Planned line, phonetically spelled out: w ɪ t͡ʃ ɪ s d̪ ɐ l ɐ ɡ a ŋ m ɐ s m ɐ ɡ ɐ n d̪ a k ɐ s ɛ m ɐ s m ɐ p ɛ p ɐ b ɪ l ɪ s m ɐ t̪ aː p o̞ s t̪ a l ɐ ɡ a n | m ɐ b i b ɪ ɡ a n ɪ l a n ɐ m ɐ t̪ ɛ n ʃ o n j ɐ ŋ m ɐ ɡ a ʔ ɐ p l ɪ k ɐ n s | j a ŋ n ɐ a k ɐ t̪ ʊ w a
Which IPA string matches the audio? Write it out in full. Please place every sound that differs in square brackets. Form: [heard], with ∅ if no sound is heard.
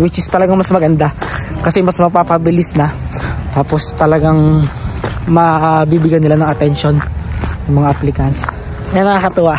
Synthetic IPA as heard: w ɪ t͡ʃ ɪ s [t̪] ɐ l ɐ ɡ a ŋ m ɐ s m ɐ ɡ ɐ n d̪ a k ɐ s ɛ m ɐ s m ɐ p [a] p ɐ b ɪ l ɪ s [n] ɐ t̪ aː p o̞ s t̪ [ɐ] l ɐ ɡ a [ŋ] | m ɐ b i b ɪ ɡ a n ɪ l a n ɐ [ŋ] ɐ t̪ ɛ n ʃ o n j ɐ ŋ m ɐ [ŋ] a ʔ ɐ p l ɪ k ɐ n s | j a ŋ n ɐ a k ɐ t̪ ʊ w a